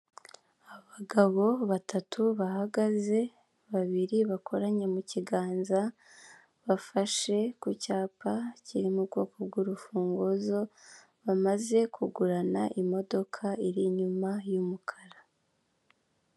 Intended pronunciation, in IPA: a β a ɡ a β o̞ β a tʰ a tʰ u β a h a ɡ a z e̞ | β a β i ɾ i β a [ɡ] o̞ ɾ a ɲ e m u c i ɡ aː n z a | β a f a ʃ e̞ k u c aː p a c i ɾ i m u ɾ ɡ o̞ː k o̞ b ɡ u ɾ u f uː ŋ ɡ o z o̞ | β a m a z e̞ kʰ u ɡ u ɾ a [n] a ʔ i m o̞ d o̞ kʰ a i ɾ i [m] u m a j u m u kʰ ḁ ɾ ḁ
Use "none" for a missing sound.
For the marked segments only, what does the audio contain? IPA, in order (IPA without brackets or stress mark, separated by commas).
k, n, ɲ